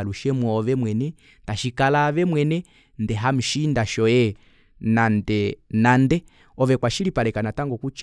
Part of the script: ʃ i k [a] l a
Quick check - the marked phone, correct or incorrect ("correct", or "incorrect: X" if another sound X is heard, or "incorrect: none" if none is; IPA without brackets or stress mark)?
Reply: correct